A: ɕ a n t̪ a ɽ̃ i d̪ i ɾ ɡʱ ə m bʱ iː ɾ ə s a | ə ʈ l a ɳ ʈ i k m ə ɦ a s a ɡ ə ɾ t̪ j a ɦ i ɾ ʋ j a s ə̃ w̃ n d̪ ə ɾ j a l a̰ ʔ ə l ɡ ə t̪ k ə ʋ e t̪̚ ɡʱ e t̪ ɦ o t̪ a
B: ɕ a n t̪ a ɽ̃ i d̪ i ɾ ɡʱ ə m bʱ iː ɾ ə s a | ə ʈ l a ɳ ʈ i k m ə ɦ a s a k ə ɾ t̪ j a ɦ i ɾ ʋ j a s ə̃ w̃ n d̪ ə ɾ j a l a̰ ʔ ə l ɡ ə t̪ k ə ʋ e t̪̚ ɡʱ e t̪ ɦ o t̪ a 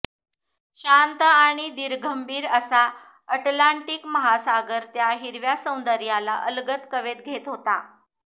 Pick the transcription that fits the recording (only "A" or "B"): A